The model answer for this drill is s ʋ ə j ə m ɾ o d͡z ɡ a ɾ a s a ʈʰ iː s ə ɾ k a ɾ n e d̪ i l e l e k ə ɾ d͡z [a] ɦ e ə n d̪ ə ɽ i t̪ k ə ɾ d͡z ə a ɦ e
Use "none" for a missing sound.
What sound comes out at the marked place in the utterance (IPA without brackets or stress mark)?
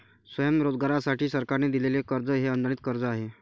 ə